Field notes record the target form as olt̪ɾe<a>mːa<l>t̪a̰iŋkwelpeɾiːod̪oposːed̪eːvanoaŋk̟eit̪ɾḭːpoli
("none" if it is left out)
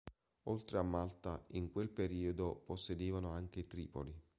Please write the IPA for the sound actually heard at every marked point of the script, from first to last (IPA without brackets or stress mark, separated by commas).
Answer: a, l